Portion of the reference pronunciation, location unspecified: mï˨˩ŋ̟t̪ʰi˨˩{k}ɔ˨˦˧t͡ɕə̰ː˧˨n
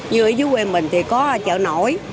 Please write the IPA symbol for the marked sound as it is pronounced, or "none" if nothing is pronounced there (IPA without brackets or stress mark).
k